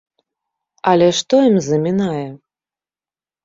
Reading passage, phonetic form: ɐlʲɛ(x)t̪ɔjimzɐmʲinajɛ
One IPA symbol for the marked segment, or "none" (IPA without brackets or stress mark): ʂ